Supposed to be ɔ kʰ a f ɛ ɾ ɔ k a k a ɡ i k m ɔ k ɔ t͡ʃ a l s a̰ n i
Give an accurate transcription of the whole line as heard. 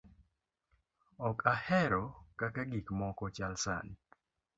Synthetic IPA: ɔ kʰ a h ɛ ɾ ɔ k a k a ɡ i k m ɔ k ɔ t͡ʃ a l s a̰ n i